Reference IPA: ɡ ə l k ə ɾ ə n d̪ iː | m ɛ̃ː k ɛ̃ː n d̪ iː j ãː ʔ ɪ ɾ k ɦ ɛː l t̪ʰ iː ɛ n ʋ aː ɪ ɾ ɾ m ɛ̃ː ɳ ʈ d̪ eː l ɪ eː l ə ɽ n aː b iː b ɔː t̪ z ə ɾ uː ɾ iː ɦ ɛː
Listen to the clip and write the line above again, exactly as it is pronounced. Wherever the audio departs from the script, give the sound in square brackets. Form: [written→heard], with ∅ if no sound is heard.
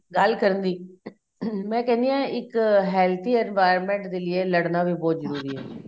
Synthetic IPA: ɡ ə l k ə ɾ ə n d̪ iː | m ɛ̃ː k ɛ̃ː n d̪ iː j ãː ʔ ɪ [ɾ→∅] k ɦ ɛː l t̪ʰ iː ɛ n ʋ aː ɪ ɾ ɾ m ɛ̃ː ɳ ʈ d̪ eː l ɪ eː l ə ɽ n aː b iː b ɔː t̪ z ə ɾ uː ɾ iː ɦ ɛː